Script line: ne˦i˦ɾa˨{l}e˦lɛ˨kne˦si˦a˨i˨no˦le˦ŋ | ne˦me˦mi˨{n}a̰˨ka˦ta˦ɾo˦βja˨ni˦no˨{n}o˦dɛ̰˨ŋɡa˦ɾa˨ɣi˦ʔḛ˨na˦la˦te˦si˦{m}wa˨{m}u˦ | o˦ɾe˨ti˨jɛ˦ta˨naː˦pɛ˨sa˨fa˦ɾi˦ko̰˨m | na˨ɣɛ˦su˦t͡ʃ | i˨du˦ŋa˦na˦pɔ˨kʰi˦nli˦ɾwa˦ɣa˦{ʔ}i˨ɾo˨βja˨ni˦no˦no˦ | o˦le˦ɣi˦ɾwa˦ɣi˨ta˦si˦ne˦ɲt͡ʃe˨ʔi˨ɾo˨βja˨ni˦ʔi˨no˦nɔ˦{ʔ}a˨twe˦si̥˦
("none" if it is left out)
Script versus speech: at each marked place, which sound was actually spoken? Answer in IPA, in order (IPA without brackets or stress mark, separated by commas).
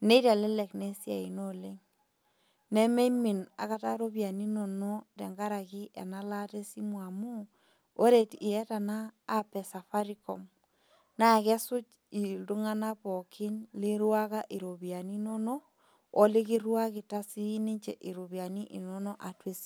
l, n, n, m, m, ʔ, ʔ